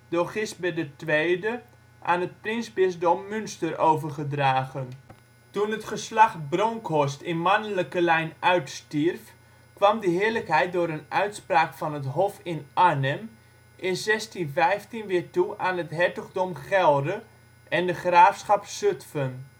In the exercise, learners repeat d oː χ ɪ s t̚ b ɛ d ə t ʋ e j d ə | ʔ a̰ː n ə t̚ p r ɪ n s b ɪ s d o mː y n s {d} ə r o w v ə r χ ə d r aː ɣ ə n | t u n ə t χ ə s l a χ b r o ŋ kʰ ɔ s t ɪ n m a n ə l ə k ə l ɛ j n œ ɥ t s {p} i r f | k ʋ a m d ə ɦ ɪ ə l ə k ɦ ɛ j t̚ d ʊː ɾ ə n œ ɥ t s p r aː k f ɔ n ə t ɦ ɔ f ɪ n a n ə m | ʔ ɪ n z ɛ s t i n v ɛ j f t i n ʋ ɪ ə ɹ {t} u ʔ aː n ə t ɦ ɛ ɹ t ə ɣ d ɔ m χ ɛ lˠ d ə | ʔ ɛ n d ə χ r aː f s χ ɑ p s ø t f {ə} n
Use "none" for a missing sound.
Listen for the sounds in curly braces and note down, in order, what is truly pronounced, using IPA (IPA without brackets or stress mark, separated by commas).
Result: t, t, t, ə